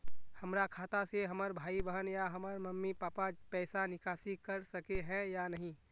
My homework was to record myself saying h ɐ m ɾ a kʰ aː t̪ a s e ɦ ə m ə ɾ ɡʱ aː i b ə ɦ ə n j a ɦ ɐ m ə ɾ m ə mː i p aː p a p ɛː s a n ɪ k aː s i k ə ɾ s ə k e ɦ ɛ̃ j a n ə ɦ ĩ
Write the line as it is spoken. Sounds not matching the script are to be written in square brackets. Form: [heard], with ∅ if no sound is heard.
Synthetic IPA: h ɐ m ɾ a kʰ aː t̪ a s e ɦ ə m ə ɾ [bʱ] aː i b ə ɦ ə n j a ɦ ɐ m ə ɾ m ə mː i p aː p a p ɛː s a n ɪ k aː s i k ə ɾ s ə k e ɦ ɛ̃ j a n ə ɦ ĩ